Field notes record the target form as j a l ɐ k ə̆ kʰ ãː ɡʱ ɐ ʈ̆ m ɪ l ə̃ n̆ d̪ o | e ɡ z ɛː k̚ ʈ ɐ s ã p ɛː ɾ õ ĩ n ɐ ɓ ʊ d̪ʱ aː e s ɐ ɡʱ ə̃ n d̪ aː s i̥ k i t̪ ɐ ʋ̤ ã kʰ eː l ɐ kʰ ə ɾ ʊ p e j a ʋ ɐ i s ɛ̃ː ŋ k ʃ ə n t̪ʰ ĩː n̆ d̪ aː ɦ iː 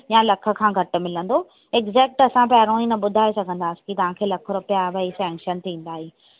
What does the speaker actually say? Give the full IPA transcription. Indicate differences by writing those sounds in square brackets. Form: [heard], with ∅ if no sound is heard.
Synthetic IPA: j a l ɐ [kʰ] ə̆ kʰ ãː ɡʱ ɐ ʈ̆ m ɪ l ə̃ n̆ d̪ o | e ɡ z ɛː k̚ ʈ ɐ s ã p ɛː ɾ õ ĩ n ɐ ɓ ʊ d̪ʱ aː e s ɐ ɡʱ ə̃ n d̪ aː s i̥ k i t̪ ɐ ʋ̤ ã kʰ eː l ɐ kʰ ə ɾ ʊ p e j a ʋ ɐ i s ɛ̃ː ŋ k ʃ ə n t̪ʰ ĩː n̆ d̪ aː ɦ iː